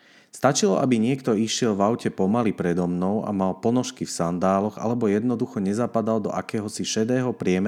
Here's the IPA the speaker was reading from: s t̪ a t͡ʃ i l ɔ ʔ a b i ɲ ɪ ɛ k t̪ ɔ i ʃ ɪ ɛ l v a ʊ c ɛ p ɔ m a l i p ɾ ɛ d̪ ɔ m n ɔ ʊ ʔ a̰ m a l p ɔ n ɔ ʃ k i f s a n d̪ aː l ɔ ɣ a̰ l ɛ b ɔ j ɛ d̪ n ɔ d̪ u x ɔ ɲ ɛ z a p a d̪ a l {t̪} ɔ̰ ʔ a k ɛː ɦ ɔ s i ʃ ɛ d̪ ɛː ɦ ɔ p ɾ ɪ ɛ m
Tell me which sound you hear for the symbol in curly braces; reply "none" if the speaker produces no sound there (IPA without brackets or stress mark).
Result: d̪